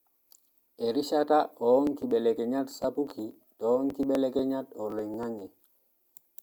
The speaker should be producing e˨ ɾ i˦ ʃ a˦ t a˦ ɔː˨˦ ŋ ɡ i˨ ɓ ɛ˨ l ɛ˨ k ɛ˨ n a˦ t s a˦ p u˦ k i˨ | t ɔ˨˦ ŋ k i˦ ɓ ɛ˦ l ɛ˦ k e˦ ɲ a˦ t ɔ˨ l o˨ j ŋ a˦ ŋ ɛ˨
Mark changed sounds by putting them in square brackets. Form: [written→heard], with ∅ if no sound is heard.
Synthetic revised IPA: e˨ ɾ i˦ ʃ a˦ t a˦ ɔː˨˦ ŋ [ɡ→k] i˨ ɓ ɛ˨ l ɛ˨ k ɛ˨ [n→ɲ] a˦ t s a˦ p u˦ k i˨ | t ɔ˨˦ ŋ k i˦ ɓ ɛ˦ l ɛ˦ k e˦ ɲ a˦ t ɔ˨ l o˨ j ŋ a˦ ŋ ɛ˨

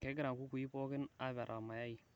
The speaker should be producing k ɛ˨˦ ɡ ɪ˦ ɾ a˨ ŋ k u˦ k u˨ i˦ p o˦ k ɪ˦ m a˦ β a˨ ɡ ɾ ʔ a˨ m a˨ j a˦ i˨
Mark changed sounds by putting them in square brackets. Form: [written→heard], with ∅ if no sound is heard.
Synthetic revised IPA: k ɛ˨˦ ɡ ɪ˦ ɾ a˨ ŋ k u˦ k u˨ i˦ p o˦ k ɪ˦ [m→n] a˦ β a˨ [ɡ→∅] ɾ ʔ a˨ m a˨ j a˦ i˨

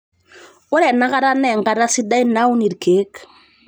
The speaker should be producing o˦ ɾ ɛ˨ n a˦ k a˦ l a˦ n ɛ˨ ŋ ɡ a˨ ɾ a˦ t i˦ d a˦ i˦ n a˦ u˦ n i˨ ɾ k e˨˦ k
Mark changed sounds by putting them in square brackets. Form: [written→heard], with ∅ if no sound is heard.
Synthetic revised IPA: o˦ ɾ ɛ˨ n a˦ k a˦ [l→ɾ] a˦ n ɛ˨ ŋ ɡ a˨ ɾ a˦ [t→s] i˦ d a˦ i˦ n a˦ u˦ n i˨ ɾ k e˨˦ k

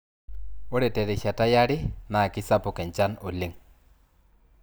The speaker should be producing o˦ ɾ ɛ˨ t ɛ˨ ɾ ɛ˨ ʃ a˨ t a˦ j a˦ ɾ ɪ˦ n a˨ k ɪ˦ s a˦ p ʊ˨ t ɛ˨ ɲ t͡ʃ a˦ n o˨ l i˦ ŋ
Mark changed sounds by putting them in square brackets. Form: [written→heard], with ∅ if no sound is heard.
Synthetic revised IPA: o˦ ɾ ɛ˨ t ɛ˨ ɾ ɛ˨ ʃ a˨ t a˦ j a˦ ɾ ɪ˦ n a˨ k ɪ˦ s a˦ p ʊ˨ [t→k] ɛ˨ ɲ t͡ʃ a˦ n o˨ l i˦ ŋ

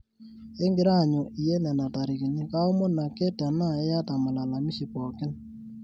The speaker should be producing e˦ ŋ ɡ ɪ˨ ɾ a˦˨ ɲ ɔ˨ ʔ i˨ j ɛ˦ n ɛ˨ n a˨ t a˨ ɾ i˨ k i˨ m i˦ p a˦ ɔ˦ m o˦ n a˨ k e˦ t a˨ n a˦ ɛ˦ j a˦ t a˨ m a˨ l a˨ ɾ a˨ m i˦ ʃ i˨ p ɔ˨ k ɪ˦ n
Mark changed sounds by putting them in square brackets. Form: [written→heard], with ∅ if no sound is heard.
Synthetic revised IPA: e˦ ŋ ɡ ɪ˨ ɾ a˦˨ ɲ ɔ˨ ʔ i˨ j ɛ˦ n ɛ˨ n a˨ t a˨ ɾ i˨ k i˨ [m→ɲ] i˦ [p→k] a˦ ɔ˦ m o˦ n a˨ k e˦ t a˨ n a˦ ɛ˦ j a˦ t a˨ m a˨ l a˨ [ɾ→l] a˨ m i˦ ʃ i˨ p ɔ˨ k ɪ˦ n

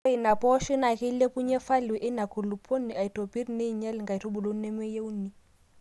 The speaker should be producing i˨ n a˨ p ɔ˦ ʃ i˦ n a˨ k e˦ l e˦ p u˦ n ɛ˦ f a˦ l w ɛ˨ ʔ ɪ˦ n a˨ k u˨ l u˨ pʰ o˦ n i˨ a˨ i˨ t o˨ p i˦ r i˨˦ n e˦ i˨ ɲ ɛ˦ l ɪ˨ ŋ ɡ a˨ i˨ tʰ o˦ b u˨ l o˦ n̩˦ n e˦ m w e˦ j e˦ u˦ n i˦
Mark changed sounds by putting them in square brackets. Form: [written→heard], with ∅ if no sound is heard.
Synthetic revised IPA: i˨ n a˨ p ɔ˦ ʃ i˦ n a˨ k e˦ l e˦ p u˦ [n→ɲ] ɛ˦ f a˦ l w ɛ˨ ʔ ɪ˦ n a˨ k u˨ l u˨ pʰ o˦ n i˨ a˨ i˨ t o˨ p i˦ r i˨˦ n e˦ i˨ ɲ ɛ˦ l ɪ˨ ŋ ɡ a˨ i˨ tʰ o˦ b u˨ l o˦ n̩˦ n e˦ m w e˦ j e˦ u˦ n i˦

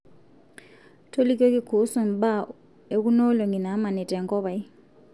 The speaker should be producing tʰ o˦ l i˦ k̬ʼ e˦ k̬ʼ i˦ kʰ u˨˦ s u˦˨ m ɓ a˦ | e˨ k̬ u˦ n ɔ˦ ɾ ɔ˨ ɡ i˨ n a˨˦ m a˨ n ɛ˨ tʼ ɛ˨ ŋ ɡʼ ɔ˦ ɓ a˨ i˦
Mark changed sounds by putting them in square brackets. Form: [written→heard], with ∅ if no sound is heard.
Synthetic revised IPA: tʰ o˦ l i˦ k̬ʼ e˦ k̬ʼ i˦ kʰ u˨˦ s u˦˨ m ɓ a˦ | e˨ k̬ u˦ n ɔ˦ [ɾ→l] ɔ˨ [ɡ→ŋ] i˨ n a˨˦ m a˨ n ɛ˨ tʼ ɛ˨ ŋ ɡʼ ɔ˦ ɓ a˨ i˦

